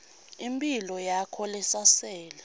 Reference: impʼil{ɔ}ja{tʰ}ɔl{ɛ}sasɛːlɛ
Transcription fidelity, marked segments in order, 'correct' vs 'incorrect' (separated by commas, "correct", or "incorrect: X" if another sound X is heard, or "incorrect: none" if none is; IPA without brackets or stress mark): correct, incorrect: kʰ, correct